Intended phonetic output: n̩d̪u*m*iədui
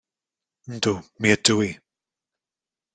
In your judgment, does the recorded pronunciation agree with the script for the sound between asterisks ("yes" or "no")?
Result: yes